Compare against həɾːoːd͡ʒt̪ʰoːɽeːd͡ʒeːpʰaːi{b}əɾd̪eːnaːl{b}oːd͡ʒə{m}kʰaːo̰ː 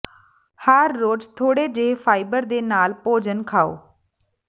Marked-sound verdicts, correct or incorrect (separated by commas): correct, incorrect, incorrect